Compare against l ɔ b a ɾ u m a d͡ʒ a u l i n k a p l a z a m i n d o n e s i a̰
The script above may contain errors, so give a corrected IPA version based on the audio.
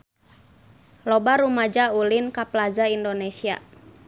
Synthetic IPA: l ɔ b a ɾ u m a d͡ʒ a u l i n k a p l a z a i n d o n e s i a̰